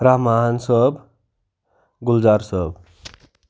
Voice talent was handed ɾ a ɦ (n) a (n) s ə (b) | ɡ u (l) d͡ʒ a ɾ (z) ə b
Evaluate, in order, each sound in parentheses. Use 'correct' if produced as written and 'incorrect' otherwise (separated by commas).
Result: incorrect, correct, correct, correct, incorrect